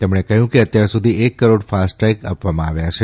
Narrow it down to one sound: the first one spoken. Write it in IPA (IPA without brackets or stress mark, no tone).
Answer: t̪